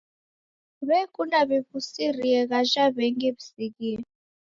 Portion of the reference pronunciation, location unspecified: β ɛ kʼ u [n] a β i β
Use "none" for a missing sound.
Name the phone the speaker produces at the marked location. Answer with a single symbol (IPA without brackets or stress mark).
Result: n